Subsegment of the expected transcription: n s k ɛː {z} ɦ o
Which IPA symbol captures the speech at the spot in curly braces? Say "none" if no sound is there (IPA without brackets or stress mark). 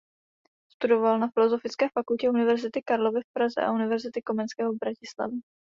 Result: none